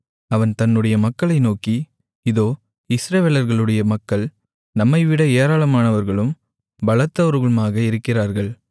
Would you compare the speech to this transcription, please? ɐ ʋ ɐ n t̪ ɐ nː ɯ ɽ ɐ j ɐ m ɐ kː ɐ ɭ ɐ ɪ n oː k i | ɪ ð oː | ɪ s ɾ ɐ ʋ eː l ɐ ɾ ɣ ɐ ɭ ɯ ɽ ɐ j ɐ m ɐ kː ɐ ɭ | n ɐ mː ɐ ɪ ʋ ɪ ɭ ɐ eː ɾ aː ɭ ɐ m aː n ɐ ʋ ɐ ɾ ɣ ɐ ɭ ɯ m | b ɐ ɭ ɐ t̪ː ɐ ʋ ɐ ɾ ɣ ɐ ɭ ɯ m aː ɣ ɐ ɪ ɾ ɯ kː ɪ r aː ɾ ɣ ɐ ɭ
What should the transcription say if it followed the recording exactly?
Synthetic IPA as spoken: ɐ ʋ ɐ n t̪ ɐ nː ɯ ɽ ɐ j ɐ m ɐ kː ɐ ɭ ɐ ɪ n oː k i | ɪ ð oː | ɪ s ɾ ɐ ʋ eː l ɐ ɾ ɣ ɐ ɭ ɯ ɽ ɐ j ɐ m ɐ kː ɐ ɭ | n ɐ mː ɐ ɪ ʋ ɪ ɽ ɐ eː ɾ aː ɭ ɐ m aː n ɐ ʋ ɐ ɾ ɣ ɐ ɭ ɯ m | b ɐ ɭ ɐ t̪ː ɐ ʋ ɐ ɾ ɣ ɐ ɭ ɯ m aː ɣ ɐ ɪ ɾ ɯ kː ɪ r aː ɾ ɣ ɐ ɭ